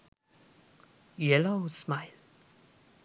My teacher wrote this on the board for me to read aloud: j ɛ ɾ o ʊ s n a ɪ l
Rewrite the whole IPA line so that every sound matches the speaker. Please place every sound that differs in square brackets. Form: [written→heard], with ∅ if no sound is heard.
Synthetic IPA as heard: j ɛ [ɾ→l] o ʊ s [n→m] a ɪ l